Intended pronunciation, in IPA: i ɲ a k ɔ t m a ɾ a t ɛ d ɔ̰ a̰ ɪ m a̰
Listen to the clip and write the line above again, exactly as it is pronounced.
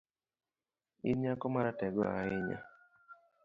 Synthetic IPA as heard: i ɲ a k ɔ m a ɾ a t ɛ ɡ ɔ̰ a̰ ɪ ɲ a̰